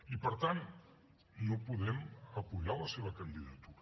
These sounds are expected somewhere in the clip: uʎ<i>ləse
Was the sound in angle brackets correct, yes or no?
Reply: no